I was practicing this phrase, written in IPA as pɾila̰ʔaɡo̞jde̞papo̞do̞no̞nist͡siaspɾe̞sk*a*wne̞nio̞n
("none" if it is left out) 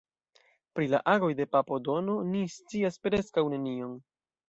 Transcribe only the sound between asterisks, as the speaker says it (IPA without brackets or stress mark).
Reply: a